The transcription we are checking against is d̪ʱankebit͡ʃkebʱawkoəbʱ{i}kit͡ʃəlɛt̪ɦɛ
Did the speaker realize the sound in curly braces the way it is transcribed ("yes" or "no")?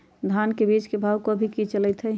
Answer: yes